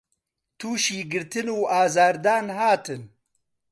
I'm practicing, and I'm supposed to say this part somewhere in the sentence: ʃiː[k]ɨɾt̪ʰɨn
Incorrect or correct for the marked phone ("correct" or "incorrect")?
incorrect